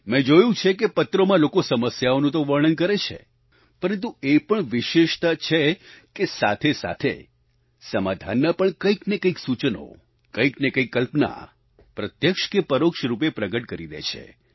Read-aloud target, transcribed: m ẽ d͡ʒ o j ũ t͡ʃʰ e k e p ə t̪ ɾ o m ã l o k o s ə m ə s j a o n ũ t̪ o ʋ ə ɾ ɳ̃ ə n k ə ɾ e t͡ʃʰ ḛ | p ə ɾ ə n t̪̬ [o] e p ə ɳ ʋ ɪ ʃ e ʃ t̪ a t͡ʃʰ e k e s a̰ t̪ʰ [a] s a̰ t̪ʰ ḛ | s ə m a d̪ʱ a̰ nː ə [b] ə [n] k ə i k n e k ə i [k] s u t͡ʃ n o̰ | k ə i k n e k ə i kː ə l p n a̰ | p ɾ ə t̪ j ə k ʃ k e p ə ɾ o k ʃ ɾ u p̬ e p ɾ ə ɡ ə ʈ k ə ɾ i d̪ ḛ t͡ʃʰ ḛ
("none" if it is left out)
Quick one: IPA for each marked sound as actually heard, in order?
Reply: u, e, p, ɳ, k

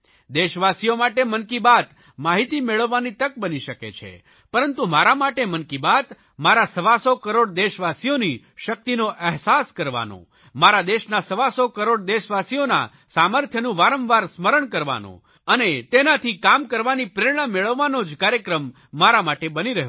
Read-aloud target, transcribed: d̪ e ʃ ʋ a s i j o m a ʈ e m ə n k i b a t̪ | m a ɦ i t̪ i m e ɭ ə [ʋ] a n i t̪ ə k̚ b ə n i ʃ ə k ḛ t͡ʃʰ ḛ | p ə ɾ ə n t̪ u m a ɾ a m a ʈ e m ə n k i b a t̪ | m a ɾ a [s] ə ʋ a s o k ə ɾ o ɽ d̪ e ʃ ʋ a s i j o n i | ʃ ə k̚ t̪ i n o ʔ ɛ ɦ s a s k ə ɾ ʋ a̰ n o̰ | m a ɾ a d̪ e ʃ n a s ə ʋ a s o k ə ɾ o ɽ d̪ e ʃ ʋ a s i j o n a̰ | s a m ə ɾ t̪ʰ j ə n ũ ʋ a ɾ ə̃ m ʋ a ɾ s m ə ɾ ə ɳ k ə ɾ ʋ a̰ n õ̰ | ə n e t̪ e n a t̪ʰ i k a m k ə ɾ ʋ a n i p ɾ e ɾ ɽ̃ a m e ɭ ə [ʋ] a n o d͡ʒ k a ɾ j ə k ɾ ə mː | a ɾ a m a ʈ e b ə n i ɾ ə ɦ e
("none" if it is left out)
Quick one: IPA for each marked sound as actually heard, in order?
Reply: ʋː, s, ʋː

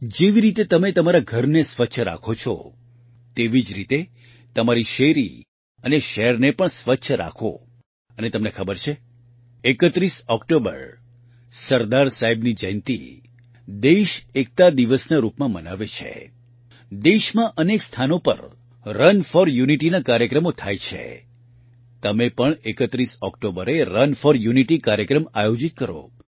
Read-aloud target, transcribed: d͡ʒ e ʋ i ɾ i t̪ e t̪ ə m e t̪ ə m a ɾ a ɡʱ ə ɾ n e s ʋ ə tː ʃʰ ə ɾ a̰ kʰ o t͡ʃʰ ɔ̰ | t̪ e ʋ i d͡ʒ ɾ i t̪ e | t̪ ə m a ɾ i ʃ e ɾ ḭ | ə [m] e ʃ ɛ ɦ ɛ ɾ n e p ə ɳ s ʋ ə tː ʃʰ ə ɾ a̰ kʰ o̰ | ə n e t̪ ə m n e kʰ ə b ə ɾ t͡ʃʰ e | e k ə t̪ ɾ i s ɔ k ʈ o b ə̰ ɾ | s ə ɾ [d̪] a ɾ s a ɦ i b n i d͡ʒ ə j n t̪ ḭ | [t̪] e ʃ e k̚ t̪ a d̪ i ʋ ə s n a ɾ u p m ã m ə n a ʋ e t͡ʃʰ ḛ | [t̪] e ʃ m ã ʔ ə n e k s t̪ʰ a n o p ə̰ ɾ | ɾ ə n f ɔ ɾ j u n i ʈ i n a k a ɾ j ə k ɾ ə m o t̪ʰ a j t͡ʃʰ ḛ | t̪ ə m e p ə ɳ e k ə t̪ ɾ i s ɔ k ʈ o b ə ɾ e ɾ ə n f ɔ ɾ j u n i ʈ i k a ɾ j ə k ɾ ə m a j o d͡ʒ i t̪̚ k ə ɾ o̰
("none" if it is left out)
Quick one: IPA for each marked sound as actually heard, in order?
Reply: n, d̪, d̪, d̪

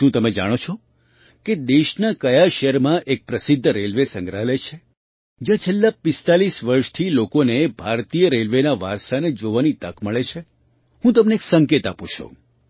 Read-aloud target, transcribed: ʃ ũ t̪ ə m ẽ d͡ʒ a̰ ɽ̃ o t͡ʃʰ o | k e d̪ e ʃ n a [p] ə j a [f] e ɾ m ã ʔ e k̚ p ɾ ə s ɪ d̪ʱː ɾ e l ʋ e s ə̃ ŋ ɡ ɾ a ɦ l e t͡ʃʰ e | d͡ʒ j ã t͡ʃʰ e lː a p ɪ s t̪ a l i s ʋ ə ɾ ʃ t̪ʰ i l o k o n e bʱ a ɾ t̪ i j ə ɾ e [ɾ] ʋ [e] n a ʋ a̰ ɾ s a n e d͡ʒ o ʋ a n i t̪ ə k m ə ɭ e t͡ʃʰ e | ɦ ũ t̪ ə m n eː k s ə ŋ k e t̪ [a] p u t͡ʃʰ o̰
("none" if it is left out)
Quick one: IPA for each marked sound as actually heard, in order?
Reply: k, ʃ, l, e, a

